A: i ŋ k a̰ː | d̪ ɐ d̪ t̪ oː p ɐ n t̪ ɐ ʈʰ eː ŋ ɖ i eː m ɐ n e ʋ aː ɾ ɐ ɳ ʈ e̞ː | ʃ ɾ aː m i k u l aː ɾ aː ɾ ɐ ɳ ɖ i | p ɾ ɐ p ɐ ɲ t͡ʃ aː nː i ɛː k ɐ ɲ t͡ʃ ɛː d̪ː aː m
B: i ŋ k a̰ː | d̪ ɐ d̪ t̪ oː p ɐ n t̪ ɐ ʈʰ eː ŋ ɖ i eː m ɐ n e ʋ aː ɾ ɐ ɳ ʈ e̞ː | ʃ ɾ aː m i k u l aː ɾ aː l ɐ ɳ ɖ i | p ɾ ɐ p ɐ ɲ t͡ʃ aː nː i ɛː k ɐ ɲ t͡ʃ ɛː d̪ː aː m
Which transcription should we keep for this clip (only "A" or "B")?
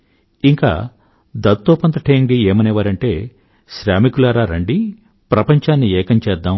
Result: A